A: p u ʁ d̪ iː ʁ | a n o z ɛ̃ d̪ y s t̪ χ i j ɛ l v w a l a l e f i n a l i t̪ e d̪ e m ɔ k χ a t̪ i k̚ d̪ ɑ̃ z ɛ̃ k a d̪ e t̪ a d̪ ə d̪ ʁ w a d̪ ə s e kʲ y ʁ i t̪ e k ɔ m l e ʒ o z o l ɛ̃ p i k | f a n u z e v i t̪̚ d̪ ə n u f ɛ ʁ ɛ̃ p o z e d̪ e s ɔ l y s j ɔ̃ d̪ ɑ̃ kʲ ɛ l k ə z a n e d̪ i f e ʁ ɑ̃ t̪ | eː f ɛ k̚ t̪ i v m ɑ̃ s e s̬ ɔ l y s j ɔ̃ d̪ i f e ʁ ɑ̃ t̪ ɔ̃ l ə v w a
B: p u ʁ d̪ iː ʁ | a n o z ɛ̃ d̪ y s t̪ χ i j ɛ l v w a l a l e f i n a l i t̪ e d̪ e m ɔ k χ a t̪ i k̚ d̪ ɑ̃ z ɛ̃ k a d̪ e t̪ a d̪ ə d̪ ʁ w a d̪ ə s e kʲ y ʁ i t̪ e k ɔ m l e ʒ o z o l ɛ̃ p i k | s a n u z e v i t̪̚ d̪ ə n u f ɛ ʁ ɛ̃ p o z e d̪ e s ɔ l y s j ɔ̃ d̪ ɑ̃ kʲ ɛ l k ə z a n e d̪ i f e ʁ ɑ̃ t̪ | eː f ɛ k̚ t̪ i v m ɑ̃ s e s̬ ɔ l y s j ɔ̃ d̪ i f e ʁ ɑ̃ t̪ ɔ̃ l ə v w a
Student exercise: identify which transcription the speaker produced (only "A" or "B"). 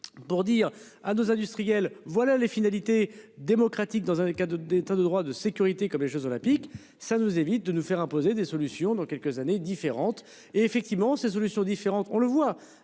B